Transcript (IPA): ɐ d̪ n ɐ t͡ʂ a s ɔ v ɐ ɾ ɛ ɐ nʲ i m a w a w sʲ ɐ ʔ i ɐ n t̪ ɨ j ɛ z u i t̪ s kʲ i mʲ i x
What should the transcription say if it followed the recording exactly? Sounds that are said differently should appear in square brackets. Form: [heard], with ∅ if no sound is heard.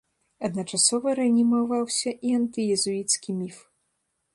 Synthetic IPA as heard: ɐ d̪ n ɐ t͡ʂ a s ɔ v ɐ ɾ ɛ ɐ nʲ i m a [v] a w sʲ ɐ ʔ i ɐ n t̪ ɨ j ɛ z u i t̪ s kʲ i mʲ i [f]